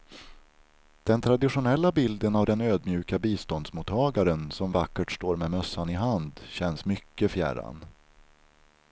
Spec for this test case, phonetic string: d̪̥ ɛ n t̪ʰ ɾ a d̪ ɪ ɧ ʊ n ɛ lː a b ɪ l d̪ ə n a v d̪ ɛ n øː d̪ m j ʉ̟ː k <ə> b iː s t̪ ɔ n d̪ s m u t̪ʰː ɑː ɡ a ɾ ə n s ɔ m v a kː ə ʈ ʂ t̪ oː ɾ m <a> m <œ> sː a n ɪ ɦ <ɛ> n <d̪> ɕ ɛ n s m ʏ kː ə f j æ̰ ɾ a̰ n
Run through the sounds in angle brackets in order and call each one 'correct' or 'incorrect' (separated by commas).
incorrect, incorrect, correct, incorrect, correct